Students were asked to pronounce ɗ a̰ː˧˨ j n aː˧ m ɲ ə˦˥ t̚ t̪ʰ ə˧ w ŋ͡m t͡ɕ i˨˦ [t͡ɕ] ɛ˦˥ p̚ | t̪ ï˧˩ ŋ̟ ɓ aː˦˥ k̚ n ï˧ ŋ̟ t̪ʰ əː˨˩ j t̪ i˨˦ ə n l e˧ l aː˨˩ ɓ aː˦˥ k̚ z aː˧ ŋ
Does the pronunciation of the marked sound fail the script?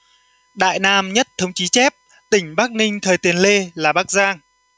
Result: no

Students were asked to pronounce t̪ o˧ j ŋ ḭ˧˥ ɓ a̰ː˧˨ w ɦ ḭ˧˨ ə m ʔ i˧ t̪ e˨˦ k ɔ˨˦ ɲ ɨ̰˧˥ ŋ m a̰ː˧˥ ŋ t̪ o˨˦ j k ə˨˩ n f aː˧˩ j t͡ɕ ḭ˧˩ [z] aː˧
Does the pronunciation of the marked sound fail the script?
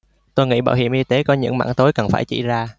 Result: no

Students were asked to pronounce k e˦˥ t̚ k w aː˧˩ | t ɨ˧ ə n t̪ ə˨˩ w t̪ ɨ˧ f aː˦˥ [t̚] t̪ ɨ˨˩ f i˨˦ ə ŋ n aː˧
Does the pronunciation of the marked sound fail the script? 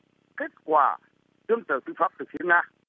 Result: yes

